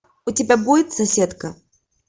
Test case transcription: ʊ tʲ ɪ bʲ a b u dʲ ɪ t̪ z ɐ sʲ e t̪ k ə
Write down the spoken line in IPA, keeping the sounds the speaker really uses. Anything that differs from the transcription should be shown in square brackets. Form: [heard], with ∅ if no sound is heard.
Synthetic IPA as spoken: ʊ tʲ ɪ bʲ a b u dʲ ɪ t̪ [s] ɐ sʲ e t̪ k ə